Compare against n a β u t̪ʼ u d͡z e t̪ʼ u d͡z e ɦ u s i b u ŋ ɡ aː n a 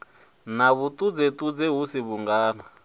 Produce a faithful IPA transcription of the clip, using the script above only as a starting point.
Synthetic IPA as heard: n a β u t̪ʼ u d͡z e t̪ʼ u d͡z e ɦ u s i β u ŋ ɡ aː n a